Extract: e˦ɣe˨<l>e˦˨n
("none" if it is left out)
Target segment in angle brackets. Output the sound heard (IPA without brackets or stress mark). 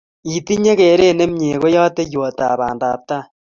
ɾ